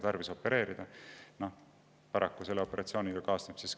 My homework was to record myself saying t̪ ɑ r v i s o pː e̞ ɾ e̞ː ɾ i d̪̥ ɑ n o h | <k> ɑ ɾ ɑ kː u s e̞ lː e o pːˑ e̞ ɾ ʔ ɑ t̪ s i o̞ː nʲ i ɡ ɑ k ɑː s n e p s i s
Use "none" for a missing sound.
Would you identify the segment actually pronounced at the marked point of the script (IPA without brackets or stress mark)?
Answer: p